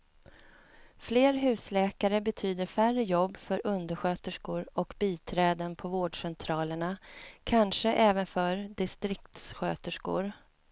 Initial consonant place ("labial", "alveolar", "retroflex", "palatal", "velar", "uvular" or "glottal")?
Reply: labial